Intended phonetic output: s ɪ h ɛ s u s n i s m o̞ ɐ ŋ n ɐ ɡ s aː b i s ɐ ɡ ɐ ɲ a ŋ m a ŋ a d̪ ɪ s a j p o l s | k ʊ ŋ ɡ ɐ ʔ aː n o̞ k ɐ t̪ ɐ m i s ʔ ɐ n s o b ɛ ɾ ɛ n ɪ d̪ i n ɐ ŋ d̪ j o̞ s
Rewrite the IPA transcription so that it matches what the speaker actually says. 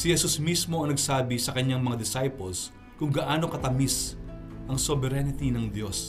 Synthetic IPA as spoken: s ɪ h ɛ s u s m i s m o̞ ɐ ŋ n ɐ ɡ s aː b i s ɐ k ɐ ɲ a ŋ m ɐ ŋ a d̪ ɪ s a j p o l s | k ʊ ŋ ɡ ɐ ʔ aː n o̞ k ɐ t̪ ɐ m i s ʔ ɐ ŋ s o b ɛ ɾ ɛ n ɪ t̪ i n ɐ ŋ d̪ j o̞ s